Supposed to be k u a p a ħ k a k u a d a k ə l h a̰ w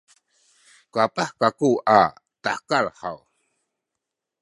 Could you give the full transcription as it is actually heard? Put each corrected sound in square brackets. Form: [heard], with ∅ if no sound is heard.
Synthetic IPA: k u a p a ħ k a k u a [t] a k [a] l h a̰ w